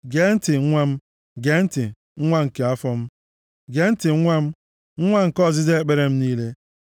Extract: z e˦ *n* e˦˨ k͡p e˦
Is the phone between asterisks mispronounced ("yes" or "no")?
yes